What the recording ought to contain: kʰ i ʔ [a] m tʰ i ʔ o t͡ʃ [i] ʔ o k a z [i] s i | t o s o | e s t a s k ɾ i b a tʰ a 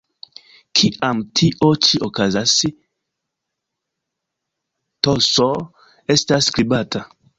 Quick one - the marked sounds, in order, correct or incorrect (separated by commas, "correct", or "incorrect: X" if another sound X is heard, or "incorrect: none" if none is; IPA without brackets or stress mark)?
correct, correct, incorrect: a